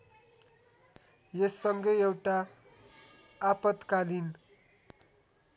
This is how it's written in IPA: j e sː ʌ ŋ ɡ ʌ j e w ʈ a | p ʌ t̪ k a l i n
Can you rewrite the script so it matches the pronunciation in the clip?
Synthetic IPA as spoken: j e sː ʌ ŋ ɡ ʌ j e w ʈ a | p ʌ t̪ k a l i n